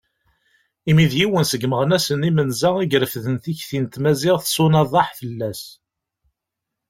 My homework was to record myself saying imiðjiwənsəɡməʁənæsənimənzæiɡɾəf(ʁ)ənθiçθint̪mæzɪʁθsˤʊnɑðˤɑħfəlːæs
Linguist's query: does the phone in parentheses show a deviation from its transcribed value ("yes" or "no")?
yes